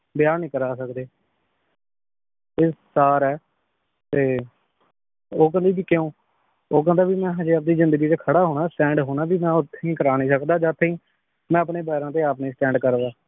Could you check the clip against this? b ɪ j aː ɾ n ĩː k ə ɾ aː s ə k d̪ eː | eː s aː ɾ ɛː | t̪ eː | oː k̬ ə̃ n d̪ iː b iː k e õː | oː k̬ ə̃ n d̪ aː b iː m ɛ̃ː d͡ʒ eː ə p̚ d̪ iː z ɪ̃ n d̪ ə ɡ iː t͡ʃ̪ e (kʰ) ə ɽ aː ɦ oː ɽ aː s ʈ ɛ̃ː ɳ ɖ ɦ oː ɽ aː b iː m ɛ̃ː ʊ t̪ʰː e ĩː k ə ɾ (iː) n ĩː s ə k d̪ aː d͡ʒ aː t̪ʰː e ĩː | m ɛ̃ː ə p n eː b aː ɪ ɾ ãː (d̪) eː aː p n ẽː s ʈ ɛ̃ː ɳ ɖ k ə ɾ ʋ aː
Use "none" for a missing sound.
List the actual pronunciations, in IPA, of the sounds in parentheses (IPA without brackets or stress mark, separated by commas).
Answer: kʰ, aː, t̪